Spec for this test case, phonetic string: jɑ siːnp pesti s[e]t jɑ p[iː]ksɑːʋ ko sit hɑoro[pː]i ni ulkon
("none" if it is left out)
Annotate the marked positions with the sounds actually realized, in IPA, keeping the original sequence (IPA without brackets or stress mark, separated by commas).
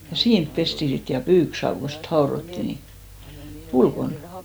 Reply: i, yː, tː